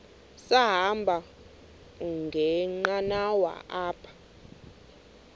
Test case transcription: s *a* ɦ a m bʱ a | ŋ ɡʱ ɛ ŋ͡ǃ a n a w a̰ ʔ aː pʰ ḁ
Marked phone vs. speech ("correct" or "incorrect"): correct